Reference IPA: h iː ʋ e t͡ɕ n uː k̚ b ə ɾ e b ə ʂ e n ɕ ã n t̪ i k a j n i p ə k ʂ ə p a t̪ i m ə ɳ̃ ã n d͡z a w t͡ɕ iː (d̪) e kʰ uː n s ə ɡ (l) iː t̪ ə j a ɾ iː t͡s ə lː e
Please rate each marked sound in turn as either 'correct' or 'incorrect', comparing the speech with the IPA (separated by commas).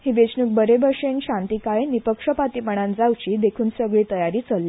correct, incorrect